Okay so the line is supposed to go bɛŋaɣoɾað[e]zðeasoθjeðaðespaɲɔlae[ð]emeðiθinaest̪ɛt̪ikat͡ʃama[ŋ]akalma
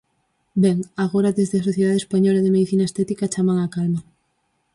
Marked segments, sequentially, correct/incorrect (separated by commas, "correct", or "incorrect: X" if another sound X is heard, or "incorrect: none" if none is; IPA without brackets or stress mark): correct, correct, correct